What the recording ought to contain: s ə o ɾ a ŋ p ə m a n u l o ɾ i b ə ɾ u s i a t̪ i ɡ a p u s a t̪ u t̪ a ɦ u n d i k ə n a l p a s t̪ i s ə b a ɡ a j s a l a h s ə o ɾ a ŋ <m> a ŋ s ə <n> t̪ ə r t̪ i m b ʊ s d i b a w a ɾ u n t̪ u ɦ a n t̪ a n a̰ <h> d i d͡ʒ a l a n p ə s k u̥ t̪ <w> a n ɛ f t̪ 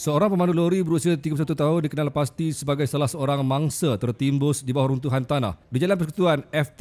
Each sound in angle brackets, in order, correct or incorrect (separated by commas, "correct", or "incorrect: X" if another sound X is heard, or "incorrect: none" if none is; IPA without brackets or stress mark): correct, incorrect: none, correct, incorrect: u